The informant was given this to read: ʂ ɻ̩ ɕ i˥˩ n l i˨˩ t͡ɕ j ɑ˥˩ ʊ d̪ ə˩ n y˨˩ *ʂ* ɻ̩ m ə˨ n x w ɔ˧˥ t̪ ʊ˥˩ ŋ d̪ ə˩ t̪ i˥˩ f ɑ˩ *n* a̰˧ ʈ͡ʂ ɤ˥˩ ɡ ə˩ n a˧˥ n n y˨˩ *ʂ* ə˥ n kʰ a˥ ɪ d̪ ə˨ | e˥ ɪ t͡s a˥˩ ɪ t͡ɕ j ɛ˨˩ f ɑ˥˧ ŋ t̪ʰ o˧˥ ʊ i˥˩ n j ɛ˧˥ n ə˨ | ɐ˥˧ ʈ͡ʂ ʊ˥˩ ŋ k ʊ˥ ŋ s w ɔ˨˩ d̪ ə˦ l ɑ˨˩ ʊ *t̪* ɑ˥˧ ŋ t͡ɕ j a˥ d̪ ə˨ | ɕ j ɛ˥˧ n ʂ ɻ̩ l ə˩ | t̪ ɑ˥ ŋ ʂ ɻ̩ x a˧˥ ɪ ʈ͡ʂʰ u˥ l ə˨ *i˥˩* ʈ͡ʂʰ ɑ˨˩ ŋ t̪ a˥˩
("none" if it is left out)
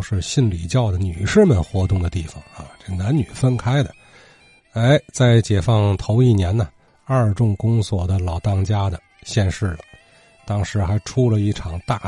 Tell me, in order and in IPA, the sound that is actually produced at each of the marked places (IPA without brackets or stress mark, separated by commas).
ʂ, ŋ, f, t̪, i˥˩